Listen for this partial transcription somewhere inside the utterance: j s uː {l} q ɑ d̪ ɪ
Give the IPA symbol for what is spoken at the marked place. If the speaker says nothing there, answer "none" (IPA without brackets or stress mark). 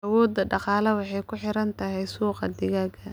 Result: none